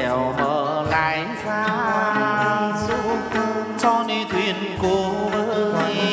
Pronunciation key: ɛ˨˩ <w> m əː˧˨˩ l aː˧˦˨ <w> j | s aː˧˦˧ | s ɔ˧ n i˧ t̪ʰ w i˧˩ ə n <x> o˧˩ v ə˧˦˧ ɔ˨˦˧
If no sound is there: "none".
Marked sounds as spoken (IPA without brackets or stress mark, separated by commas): w, none, k